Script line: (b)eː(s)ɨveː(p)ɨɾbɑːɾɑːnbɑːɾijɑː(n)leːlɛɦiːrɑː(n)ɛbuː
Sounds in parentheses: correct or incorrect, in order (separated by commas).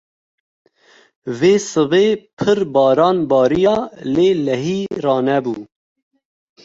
incorrect, correct, incorrect, incorrect, correct